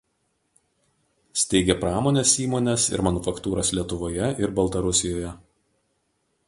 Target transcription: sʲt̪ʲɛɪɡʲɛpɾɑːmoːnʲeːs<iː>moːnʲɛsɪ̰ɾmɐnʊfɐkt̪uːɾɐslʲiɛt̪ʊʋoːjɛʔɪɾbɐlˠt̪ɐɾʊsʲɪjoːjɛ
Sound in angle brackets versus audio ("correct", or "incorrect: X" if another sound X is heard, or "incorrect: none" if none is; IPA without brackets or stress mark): correct